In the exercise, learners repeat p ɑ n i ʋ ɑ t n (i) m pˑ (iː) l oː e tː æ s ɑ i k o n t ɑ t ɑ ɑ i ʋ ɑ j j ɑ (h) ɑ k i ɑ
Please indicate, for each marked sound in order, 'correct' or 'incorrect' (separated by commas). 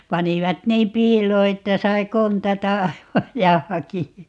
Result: incorrect, correct, correct